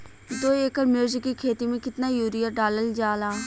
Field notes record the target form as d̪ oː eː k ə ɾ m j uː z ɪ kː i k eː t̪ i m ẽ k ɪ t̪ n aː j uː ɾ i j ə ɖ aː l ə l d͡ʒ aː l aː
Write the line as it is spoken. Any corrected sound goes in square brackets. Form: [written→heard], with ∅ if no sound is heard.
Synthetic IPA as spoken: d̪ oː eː k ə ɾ m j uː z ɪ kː i [k→kʰ] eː t̪ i m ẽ k ɪ t̪ n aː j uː ɾ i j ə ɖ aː l ə l d͡ʒ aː l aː